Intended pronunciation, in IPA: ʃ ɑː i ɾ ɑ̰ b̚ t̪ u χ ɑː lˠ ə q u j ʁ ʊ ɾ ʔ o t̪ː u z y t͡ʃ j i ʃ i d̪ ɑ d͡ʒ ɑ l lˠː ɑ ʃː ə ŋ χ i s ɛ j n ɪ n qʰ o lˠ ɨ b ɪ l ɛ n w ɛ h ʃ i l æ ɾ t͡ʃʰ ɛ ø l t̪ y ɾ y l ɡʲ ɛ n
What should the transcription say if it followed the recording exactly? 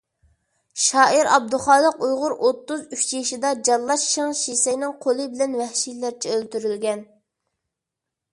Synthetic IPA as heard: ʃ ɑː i ɾ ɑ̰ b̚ d̪ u χ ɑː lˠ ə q u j ʁ ʊ ɾ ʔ o t̪ː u z y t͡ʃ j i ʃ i d̪ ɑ d͡ʒ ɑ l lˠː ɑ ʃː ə ŋ ʃ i s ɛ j n ɪ ŋ qʰ o lˠ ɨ b ɪ l ɛ n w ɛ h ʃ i l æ ɾ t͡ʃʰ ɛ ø l t̪ y ɾ y l ɡʲ ɛ n